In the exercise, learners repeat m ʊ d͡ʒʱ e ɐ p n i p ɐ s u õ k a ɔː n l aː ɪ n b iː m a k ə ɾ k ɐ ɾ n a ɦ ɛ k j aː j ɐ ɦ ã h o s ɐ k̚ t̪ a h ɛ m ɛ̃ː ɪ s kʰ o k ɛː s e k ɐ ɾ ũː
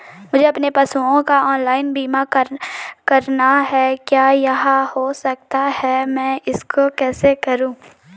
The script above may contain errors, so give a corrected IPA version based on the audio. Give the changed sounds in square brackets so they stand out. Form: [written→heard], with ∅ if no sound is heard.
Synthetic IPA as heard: m ʊ d͡ʒʱ e ɐ p n [i→e] p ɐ s u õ k a ɔː n l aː ɪ n b iː m a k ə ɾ k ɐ ɾ n a ɦ ɛ k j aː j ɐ ɦ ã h o s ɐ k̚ t̪ a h ɛ m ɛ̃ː ɪ s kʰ o k ɛː s e k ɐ ɾ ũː